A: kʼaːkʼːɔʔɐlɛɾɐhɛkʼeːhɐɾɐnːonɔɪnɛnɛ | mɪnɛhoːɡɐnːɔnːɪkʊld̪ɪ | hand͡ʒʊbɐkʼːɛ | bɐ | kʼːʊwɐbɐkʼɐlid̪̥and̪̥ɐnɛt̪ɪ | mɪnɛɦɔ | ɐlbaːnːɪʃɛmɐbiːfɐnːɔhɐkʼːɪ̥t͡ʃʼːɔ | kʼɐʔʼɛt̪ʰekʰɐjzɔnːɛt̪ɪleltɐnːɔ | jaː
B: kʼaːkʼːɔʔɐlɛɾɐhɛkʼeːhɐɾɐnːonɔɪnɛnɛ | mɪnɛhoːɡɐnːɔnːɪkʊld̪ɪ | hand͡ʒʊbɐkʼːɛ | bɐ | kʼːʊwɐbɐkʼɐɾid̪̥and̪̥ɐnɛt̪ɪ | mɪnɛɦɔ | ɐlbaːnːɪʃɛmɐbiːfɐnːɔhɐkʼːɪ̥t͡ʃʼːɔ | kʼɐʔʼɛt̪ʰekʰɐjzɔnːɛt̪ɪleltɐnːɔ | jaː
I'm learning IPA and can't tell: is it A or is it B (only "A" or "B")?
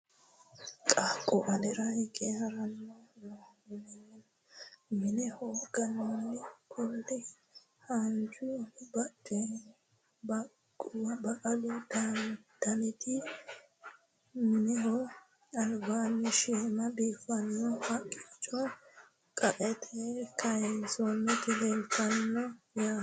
A